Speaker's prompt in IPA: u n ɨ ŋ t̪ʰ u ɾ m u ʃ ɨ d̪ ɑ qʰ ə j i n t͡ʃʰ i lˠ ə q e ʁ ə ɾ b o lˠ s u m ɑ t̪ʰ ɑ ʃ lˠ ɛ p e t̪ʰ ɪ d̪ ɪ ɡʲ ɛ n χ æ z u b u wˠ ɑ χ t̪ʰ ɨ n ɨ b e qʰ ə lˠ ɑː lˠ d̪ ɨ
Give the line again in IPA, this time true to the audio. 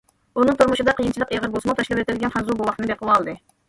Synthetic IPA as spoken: u n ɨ ŋ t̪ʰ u ɾ m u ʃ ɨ d̪ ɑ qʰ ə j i n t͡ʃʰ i lˠ ə q e ʁ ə ɾ b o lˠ s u m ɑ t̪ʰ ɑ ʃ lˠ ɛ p e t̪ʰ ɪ d̪ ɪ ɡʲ ɛ n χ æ z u b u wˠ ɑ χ t̪ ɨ n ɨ b e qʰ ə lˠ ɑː lˠ d̪ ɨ